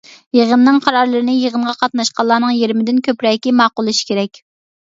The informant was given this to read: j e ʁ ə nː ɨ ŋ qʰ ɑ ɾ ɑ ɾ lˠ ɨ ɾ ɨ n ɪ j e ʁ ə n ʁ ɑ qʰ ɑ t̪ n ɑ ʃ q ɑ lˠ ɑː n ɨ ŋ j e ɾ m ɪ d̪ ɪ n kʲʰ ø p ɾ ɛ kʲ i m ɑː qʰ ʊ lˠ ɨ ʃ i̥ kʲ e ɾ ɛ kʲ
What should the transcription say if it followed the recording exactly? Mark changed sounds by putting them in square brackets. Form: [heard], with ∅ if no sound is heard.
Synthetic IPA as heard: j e ʁ ə nː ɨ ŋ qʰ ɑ ɾ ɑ ɾ lˠ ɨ ɾ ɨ n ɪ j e ʁ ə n ʁ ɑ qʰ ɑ t̪ n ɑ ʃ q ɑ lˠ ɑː n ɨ ŋ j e ɾ m ɪ d̪ ɪ n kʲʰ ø p ɾ ɛ kʲ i m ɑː [q] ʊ lˠ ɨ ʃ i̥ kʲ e ɾ ɛ kʲ